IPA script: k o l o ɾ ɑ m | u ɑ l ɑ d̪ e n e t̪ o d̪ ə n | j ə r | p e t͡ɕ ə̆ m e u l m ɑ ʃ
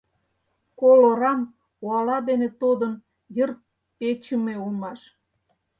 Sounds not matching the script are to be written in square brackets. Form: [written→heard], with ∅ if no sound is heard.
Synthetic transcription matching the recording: k o l o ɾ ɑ m | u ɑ l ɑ d̪ e n e t̪ o d̪ ə n | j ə r | p e t͡ɕ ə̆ m e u l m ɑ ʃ